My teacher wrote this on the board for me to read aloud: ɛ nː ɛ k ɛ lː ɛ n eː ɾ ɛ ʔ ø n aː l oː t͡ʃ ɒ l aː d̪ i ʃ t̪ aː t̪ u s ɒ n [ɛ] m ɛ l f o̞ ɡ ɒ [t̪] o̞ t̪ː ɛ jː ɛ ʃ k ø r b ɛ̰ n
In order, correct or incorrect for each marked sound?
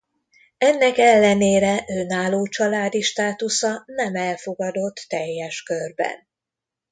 correct, incorrect: d̪

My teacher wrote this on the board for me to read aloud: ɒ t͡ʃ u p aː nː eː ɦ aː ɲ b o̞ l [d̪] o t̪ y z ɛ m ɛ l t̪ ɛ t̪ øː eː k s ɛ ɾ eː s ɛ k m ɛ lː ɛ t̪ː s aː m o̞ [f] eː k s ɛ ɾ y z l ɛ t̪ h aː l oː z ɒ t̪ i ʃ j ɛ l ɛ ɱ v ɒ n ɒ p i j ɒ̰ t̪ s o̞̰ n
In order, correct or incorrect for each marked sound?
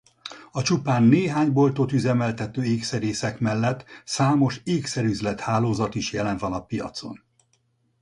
incorrect: t̪, incorrect: ʃ

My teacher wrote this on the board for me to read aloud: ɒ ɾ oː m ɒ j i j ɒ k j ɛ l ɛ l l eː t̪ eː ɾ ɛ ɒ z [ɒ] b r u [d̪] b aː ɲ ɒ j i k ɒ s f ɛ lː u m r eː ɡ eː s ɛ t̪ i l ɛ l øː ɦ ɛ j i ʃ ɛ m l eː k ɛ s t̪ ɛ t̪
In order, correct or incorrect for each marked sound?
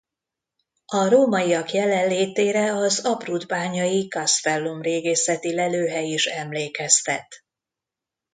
correct, correct

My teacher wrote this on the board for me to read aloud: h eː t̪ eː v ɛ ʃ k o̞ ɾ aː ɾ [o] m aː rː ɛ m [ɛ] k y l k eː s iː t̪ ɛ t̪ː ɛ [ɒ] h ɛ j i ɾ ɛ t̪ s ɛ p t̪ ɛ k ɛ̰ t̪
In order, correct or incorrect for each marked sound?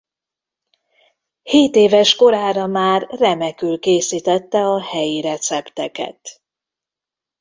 incorrect: ɒ, correct, correct

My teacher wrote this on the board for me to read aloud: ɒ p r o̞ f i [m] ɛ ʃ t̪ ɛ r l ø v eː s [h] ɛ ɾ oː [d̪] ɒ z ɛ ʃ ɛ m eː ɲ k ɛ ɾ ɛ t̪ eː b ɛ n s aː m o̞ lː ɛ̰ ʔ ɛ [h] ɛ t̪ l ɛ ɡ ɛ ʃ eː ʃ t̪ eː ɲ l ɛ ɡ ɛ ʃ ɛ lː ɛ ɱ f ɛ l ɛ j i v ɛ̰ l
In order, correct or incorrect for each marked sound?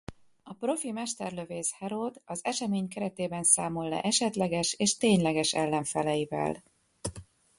correct, correct, correct, incorrect: ʃ

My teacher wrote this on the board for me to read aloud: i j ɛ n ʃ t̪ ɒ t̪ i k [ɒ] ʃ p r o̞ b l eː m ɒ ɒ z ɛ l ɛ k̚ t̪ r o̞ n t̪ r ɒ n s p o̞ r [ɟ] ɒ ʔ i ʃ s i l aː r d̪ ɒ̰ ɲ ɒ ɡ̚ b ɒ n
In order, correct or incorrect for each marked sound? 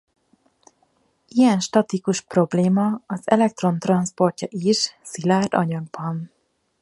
incorrect: u, incorrect: c

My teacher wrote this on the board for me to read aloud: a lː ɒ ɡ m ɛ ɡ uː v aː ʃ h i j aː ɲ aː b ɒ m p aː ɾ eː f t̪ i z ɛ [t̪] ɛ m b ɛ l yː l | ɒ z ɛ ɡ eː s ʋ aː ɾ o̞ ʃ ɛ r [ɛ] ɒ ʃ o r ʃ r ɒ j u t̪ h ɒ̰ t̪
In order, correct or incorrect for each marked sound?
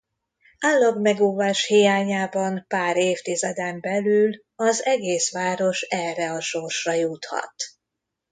incorrect: d̪, correct

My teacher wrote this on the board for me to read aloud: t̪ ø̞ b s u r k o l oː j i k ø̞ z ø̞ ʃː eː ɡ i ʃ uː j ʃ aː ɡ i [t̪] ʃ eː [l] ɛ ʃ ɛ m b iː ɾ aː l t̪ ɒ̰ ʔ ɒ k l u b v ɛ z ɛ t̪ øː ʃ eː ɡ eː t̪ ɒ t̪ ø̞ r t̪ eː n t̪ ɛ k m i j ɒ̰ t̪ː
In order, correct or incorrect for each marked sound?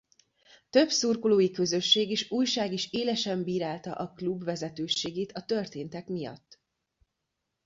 incorrect: none, correct

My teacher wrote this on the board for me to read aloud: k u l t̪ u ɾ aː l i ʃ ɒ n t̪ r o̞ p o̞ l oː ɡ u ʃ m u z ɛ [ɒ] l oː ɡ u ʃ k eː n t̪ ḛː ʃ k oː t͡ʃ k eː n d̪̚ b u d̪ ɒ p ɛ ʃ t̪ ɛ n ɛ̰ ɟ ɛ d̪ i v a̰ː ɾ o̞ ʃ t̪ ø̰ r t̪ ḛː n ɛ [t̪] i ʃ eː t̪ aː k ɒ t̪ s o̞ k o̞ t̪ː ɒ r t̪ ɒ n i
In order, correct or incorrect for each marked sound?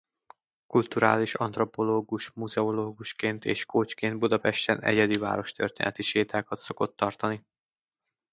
incorrect: o, correct

